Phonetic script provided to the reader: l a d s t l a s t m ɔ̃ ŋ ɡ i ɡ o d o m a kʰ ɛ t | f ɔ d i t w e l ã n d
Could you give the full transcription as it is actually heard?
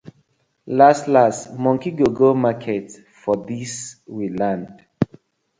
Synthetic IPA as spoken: l a s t l a s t m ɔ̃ ŋ k i ɡ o ɡ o m a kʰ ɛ t | f ɔ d i s w i l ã n d

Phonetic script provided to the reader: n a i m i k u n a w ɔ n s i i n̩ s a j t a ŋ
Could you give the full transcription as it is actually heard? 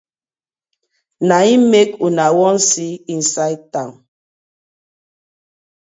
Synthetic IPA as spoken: n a i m e k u n a w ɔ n s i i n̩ s a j t a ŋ

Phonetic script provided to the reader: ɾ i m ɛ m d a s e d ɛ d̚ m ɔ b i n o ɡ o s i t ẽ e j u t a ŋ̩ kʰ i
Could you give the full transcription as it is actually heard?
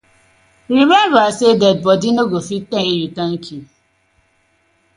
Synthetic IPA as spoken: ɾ i m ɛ m b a s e d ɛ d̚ b ɔ d i n o ɡ o f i t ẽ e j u t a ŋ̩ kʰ i

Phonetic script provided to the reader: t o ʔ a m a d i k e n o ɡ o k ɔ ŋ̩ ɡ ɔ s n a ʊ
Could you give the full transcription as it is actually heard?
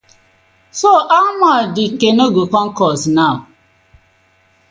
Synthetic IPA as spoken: s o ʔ a m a d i k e n o ɡ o k ɔ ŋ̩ k ɔ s n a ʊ

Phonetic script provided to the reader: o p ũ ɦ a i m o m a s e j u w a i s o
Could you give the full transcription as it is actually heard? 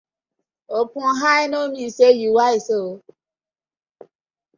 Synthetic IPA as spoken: o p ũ ɦ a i n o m i s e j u w a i s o

